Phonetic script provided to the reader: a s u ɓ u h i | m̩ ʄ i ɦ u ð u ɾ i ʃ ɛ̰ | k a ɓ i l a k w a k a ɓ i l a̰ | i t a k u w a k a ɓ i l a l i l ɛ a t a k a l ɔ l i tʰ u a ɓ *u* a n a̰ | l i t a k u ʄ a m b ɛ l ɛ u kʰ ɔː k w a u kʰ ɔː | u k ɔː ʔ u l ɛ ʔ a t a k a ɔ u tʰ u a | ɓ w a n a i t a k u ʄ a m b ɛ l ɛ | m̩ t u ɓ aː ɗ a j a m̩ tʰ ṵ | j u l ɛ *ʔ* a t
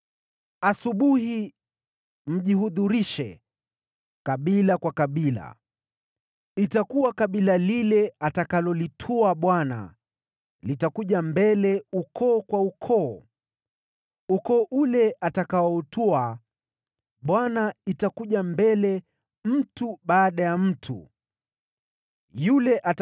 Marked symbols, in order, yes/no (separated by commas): no, yes